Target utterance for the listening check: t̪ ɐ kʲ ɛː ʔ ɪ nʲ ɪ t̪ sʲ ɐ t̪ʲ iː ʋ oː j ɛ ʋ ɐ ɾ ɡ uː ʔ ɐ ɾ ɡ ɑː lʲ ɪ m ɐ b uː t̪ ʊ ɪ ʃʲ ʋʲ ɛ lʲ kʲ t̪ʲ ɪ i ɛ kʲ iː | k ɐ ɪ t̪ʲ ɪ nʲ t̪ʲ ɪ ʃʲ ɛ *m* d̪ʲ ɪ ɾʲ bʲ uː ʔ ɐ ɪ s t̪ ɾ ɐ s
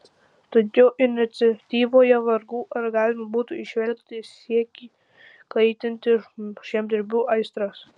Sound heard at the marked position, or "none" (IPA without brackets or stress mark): m